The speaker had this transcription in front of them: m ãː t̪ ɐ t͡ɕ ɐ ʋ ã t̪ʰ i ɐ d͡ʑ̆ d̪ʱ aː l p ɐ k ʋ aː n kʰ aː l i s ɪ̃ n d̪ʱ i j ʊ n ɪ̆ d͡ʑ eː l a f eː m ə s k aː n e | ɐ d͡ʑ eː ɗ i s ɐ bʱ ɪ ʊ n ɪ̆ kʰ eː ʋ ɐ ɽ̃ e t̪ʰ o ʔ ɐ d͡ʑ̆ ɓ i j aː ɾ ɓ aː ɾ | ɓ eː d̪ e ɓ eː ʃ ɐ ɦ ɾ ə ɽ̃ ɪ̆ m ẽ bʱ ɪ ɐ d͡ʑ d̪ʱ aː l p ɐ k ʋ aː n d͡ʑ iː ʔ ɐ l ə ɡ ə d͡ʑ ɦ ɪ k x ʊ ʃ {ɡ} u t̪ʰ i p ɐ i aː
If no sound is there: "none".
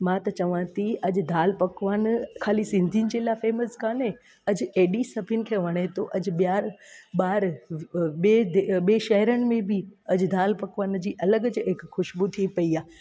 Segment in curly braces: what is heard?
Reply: b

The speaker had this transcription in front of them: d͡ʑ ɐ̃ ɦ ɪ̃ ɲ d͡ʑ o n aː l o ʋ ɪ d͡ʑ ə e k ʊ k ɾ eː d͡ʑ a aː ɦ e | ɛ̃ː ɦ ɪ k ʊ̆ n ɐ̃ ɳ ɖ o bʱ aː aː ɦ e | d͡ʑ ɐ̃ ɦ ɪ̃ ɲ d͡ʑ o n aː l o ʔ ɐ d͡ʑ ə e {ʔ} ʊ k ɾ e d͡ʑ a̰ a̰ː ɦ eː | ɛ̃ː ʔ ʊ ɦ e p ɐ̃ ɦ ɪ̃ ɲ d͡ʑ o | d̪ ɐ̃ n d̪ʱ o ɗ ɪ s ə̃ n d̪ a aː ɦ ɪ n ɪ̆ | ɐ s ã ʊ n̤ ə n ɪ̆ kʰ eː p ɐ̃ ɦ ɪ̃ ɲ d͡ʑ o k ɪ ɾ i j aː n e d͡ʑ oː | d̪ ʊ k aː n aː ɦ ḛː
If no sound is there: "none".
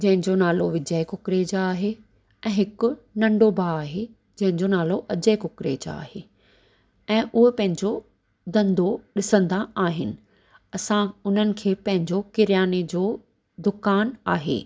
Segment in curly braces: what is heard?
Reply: k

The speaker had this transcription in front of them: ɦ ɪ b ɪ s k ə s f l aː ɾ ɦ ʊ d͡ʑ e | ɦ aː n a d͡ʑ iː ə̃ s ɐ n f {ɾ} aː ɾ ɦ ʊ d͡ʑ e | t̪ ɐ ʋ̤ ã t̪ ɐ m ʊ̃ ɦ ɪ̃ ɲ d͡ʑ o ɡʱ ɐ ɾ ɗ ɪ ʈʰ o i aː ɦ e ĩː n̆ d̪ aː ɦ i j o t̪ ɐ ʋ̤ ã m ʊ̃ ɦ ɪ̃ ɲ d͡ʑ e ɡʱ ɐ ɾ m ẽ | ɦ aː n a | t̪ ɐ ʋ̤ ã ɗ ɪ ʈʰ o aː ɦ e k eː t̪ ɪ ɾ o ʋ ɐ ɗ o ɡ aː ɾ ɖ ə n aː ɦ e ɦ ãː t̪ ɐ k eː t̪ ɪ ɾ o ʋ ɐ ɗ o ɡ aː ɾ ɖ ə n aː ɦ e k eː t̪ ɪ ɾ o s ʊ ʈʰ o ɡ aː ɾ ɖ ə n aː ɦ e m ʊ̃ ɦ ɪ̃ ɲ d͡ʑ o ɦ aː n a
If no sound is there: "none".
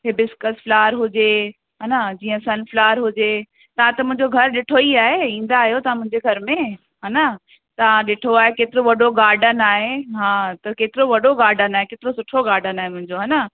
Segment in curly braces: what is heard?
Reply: l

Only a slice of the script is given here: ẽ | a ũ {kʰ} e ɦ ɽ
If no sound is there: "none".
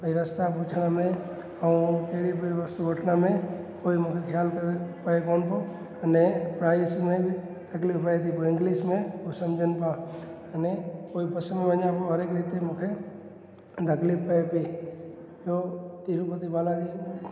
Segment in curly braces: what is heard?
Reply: k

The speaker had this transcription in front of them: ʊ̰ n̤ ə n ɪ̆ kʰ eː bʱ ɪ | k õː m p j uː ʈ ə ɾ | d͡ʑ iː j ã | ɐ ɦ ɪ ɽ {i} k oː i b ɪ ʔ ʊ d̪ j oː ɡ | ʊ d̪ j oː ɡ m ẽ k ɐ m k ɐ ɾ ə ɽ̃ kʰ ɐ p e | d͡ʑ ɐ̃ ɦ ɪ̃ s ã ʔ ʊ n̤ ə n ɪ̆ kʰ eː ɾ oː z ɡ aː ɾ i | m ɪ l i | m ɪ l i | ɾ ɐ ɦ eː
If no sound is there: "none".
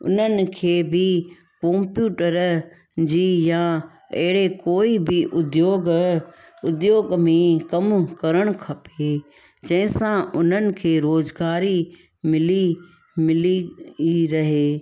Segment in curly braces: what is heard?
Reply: e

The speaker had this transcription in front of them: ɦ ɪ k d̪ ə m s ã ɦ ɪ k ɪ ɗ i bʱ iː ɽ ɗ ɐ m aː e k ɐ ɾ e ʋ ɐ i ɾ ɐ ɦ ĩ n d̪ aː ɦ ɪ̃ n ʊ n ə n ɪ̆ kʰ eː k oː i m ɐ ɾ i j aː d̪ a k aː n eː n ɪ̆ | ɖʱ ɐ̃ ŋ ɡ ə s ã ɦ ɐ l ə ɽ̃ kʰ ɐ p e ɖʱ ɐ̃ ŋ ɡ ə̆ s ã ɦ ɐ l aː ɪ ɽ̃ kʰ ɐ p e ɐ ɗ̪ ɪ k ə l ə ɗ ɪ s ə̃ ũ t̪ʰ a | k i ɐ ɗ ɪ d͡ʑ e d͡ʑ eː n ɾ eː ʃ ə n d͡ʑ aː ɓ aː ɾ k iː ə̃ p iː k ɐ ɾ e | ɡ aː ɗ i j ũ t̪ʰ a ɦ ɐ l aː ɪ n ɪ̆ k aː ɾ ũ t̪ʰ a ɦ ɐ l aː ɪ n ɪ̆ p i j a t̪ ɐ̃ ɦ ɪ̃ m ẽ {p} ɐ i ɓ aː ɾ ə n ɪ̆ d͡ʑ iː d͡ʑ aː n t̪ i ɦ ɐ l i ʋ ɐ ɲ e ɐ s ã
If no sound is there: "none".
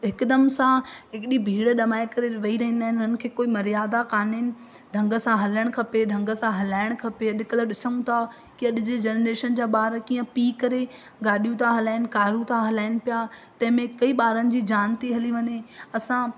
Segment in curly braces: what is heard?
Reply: k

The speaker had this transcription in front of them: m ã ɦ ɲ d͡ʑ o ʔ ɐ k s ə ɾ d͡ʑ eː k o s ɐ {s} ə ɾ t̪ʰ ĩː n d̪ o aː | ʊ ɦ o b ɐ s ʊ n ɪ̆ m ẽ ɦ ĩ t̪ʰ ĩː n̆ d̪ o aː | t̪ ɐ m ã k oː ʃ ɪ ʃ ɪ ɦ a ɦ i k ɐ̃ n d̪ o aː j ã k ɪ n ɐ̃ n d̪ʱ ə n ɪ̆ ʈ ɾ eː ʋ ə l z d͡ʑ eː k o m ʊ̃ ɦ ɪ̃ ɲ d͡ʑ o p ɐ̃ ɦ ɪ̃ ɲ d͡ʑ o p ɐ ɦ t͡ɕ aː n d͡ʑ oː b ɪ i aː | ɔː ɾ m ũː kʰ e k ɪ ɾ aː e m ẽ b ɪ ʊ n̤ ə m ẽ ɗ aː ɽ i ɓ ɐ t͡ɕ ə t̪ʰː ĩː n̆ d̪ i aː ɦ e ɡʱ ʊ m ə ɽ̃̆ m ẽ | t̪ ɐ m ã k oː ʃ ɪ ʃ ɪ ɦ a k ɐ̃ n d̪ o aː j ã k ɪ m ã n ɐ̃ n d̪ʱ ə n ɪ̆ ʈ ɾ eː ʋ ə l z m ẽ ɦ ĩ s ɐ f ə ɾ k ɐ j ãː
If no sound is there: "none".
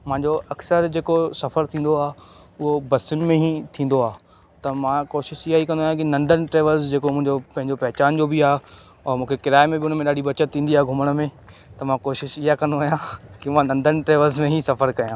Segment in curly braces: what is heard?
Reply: f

